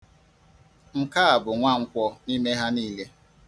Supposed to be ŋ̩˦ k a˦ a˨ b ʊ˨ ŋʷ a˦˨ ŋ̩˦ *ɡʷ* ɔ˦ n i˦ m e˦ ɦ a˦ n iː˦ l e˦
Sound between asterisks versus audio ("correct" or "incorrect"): incorrect